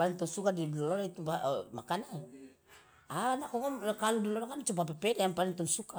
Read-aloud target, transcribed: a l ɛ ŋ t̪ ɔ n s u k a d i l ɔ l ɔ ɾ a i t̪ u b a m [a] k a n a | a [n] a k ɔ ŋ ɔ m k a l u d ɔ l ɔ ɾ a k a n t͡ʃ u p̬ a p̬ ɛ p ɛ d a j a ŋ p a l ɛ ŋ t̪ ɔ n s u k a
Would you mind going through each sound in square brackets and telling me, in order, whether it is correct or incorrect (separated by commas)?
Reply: correct, correct